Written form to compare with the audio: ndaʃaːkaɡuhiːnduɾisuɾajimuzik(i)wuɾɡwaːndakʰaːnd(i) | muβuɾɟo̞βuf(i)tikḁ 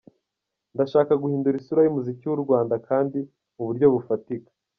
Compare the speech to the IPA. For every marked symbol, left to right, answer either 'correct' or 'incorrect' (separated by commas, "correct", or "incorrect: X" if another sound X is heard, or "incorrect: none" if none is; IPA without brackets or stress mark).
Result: correct, correct, incorrect: a